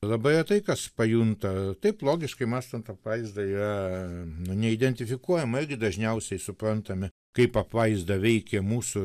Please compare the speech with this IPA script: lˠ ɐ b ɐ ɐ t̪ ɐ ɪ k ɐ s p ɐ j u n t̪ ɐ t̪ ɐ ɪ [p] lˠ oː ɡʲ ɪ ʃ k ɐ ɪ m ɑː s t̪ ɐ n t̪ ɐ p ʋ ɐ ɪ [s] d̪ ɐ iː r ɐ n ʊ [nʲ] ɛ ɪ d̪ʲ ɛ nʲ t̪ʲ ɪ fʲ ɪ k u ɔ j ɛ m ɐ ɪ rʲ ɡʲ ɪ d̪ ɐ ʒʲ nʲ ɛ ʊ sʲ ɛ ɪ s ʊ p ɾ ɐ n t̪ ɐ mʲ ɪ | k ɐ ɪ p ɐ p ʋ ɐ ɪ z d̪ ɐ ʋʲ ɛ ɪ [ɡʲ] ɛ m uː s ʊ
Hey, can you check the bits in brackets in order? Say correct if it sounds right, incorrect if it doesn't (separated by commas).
correct, incorrect, correct, incorrect